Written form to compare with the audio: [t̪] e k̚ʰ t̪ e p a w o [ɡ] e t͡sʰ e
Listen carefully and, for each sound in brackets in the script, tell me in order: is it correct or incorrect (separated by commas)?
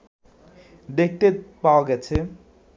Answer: incorrect, correct